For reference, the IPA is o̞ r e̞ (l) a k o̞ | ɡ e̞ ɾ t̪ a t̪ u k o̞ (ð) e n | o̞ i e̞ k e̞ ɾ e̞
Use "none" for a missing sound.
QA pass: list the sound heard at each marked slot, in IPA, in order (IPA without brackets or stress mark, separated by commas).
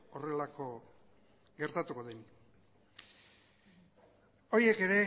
l, ð